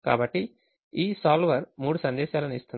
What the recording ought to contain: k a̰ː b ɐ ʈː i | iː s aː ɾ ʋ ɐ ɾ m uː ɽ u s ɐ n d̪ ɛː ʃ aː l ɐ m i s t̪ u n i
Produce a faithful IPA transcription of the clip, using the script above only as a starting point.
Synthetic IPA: k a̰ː b ɐ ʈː i | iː s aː l ʋ ɐ ɾ m uː ɽ u s ɐ n d̪ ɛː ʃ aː l ɐ n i s t̪ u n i